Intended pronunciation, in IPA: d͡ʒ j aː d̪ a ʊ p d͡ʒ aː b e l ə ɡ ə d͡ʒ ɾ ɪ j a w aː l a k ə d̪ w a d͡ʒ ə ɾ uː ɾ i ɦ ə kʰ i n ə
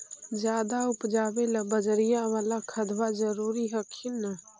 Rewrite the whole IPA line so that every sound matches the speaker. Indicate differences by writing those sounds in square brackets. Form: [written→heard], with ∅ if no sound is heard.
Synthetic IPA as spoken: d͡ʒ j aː d̪ a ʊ p d͡ʒ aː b e l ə [ɡ→b] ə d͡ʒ ɾ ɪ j a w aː l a [k→kʰ] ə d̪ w a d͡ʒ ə ɾ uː ɾ i ɦ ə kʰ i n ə